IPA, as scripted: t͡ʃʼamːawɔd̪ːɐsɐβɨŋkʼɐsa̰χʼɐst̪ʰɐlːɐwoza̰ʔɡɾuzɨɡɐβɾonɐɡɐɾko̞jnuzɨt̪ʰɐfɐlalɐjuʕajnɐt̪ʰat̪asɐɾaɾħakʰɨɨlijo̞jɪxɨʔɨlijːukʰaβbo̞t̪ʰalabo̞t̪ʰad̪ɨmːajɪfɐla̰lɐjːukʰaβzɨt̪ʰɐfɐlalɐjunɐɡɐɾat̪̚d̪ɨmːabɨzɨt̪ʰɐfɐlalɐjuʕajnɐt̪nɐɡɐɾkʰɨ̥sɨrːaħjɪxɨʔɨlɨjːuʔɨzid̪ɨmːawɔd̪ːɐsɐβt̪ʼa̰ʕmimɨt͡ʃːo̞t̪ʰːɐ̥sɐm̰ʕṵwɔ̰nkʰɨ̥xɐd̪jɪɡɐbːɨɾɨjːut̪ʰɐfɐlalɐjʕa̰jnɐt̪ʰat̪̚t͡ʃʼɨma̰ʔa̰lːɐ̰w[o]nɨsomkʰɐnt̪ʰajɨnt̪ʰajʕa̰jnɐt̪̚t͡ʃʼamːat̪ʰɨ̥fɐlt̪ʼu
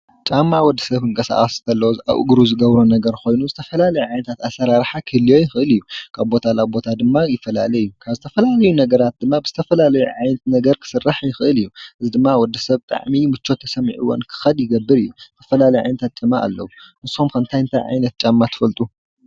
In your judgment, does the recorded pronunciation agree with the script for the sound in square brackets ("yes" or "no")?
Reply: no